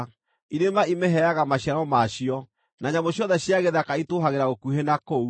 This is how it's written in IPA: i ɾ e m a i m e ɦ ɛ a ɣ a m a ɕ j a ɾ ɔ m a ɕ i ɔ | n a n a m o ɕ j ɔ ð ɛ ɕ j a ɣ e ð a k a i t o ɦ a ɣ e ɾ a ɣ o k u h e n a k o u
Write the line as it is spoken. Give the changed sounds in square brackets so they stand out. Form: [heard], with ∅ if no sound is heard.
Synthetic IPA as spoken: i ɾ e m a i m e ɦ ɛ a ɣ a m a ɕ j a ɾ ɔ m a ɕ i ɔ | n a [ɲ] a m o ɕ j ɔ ð ɛ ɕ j a ɣ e ð a k a i t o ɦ a ɣ e ɾ a ɣ o k u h e n a k o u